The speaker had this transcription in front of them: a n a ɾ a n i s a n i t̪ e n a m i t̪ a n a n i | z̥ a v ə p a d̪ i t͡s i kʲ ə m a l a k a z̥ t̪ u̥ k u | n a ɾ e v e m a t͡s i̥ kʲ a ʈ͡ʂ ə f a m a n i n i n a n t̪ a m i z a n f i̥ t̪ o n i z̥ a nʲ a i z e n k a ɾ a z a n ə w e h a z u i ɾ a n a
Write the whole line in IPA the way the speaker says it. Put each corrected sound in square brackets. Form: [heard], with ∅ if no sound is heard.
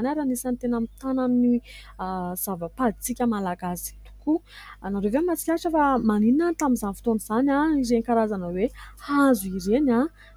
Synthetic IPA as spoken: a n a ɾ a n i s a n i t̪ e n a m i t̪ a n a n i | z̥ a v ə p a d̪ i t͡s i kʲ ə m a l a [ɡ] a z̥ t̪ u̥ k u | n a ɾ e v e m a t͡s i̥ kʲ a ʈ͡ʂ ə f a m a n i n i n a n t̪ a m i z a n f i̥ t̪ o n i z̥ a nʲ a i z e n k a ɾ a z a n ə w e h a z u i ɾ [e] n a